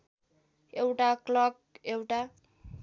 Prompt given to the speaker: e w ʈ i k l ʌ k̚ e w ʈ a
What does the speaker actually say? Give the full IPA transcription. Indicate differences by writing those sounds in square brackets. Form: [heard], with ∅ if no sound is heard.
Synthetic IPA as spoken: e w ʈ [a] k l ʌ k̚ e w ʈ a